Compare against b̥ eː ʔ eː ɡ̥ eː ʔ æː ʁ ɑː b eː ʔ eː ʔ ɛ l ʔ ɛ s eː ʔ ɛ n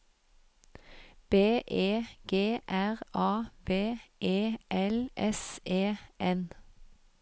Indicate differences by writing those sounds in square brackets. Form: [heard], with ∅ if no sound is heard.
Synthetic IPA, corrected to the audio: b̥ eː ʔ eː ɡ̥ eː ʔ [æ] ʁ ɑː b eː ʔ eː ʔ ɛ l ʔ ɛ s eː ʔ ɛ n